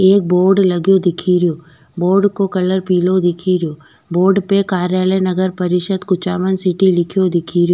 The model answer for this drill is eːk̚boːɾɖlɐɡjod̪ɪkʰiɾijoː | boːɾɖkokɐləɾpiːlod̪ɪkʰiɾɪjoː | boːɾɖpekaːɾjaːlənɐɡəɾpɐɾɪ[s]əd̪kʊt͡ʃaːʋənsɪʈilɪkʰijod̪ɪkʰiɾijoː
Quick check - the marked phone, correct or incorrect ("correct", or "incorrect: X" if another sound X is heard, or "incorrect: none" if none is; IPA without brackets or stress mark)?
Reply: incorrect: ʃ